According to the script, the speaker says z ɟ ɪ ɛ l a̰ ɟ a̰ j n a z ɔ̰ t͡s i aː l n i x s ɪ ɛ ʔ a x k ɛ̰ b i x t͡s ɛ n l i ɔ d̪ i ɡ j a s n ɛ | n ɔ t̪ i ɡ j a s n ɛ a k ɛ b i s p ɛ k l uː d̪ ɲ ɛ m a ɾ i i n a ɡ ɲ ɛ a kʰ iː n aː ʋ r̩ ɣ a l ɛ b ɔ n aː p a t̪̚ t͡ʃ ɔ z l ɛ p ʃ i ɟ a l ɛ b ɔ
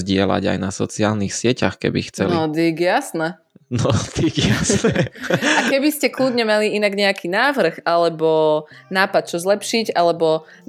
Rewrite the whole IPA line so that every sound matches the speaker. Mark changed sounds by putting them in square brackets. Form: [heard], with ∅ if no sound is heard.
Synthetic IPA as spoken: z ɟ ɪ ɛ l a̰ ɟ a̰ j n a [s] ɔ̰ t͡s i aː l n i x s ɪ ɛ [c] a x k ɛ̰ b i x t͡s ɛ n l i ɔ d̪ i ɡ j a s n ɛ | n ɔ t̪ i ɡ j a s n ɛ a k ɛ b i s [c] ɛ k l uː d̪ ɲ ɛ m a [l] i i n a ɡ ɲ ɛ a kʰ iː n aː ʋ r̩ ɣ a l ɛ b ɔ n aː p a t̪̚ t͡ʃ ɔ z l ɛ p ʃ i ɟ a l ɛ b ɔ